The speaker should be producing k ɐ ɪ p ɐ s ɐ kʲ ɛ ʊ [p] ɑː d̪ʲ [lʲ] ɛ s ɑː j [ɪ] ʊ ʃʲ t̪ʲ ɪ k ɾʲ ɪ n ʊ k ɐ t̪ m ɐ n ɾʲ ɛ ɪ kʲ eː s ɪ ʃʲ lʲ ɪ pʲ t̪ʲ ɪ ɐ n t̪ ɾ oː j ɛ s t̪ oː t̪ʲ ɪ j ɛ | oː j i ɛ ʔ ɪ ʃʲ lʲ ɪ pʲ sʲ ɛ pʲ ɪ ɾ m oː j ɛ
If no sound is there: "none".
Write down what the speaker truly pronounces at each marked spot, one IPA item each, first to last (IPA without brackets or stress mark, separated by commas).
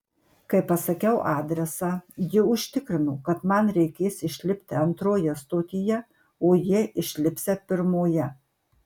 ʔ, ɾʲ, ɪ